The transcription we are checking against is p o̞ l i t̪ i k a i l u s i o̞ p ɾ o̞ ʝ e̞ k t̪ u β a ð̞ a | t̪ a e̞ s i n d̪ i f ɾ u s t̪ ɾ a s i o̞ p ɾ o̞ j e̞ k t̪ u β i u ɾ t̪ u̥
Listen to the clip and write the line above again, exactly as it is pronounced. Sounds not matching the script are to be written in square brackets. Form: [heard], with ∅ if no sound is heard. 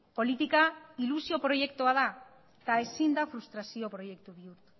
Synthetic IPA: p o̞ l i t̪ i k a i l u s i o̞ p ɾ o̞ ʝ e̞ k t̪ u [∅] a ð̞ a | t̪ a e̞ s i n d̪ [a] f ɾ u s t̪ ɾ a s i o̞ p ɾ o̞ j e̞ k t̪ u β i u ɾ t̪ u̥